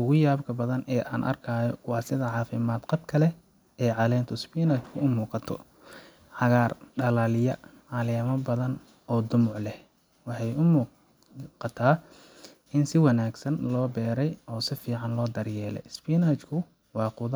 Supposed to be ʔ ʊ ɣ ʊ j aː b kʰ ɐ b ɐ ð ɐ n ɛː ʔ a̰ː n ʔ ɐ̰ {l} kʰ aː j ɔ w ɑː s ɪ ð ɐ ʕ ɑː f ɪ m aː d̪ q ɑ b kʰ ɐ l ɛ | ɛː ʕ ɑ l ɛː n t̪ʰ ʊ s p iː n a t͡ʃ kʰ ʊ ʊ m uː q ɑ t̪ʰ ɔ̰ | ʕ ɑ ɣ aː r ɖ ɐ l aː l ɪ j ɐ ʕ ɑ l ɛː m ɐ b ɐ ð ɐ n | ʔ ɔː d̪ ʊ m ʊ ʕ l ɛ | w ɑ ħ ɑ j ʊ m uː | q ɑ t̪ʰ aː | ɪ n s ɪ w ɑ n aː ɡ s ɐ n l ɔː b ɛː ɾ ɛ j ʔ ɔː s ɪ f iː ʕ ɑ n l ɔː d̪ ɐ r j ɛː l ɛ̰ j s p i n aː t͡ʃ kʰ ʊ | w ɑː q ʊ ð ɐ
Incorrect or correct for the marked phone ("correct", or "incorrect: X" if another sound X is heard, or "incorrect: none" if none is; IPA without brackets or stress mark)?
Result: incorrect: r